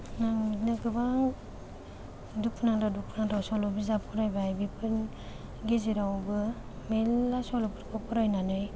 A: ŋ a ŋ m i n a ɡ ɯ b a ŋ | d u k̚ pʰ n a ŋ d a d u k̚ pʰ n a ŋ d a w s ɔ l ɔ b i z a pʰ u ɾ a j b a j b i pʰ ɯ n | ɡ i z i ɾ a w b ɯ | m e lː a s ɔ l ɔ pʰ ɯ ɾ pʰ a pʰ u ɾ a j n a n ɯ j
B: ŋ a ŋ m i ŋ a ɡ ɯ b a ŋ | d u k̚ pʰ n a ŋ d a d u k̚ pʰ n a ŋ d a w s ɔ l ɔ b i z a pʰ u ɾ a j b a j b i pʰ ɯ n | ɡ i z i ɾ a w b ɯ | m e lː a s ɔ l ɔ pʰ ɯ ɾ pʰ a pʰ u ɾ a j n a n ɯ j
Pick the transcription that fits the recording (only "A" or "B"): A